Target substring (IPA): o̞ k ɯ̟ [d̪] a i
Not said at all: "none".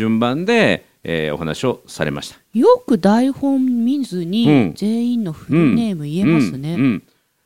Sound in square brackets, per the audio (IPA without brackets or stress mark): d̪